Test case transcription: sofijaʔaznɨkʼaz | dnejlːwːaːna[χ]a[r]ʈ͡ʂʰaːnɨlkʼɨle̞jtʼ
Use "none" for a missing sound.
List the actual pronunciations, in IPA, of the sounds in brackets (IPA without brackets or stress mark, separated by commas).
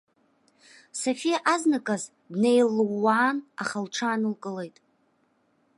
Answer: χ, l